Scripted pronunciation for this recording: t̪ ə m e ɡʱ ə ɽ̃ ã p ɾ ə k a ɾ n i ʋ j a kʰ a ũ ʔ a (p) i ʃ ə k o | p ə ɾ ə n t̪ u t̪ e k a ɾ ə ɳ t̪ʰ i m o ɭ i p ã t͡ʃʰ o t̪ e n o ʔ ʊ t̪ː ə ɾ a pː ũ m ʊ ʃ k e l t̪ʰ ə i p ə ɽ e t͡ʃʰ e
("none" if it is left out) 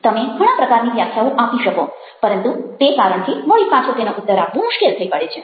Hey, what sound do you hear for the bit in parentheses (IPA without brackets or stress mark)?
p